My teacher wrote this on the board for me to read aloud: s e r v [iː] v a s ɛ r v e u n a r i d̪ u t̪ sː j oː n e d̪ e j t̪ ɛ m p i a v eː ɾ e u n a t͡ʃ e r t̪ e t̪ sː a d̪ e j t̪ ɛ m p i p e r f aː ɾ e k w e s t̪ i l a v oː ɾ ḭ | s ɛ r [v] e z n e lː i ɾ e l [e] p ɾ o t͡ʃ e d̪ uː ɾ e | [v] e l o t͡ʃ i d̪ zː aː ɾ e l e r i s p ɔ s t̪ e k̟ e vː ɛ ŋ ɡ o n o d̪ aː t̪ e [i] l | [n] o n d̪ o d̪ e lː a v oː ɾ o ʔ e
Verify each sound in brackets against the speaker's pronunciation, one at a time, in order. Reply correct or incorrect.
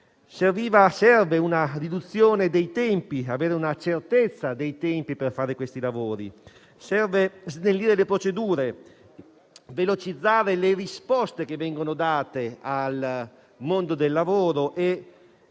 correct, correct, correct, correct, incorrect: a, incorrect: m

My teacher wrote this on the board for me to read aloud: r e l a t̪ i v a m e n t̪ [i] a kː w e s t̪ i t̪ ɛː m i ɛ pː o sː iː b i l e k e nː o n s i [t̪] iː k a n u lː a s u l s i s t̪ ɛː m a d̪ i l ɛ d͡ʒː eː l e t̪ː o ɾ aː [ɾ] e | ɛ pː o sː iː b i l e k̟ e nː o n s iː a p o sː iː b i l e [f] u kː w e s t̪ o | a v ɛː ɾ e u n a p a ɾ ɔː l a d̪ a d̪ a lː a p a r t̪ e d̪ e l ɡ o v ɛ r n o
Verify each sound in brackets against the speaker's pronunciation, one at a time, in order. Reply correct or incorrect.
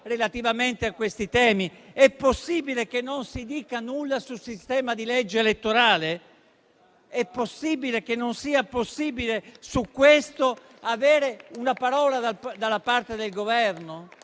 incorrect: e, incorrect: d̪, incorrect: l, incorrect: s

